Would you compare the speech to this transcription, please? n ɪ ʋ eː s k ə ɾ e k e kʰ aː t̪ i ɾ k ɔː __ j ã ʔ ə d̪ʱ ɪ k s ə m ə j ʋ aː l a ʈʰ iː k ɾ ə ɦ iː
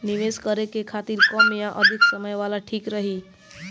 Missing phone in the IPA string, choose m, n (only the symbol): m